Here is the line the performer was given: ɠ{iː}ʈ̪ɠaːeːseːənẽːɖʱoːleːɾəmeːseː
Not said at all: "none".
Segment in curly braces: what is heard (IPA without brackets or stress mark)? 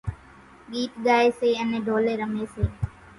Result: iː